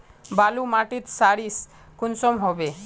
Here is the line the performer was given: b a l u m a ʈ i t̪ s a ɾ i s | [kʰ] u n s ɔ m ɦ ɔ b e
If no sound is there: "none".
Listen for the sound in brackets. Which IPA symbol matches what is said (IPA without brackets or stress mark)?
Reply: k